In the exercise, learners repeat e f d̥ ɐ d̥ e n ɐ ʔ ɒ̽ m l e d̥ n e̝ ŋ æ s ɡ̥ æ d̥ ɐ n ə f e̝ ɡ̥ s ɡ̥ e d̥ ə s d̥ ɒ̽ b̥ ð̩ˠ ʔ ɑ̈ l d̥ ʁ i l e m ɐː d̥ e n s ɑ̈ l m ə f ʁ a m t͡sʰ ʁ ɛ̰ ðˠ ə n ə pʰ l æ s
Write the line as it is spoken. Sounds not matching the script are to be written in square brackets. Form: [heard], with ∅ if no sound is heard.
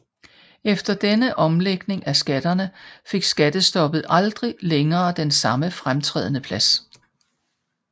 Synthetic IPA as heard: e f d̥ ɐ d̥ e n [ə] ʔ ɒ̽ m l e [ɡ̥] n e̝ ŋ æ s ɡ̥ æ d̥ ɐ n ə f e̝ ɡ̥ s ɡ̥ [æ] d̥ ə s d̥ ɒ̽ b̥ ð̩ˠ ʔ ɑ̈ l d̥ ʁ i l e [ŋ] ɐː d̥ e n s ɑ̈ [∅] m ə f ʁ a m t͡sʰ ʁ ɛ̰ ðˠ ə n ə pʰ l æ s